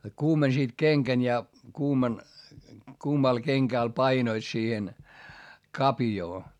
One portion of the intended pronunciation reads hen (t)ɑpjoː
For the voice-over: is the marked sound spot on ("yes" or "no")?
no